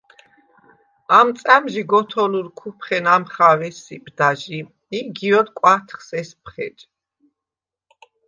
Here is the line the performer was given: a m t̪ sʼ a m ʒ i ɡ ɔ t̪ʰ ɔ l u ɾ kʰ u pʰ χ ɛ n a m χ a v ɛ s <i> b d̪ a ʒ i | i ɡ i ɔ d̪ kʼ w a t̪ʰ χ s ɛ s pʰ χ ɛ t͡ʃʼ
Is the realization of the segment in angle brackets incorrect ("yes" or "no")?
no